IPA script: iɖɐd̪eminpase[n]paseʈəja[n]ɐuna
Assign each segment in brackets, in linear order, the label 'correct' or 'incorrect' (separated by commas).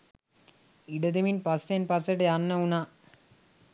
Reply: correct, incorrect